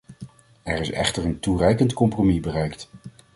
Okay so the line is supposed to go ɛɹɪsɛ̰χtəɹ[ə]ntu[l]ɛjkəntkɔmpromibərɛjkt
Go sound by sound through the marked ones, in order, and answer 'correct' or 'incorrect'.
correct, incorrect: r

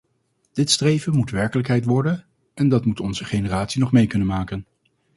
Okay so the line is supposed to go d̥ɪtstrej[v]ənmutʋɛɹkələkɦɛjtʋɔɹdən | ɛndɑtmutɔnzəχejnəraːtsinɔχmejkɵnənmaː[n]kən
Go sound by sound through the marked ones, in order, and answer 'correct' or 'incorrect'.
correct, incorrect: none

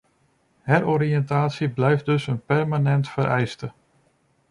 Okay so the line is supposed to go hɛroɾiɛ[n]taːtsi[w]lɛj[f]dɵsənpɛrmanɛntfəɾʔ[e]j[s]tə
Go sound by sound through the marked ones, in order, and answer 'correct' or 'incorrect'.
correct, incorrect: b, correct, incorrect: ɛ, correct

